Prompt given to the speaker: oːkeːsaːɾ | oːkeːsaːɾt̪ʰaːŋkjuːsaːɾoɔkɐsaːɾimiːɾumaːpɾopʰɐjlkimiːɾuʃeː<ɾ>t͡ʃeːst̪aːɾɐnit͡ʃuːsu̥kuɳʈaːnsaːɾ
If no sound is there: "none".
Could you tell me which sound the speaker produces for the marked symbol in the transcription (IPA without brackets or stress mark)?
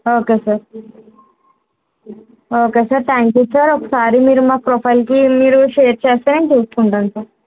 ɾ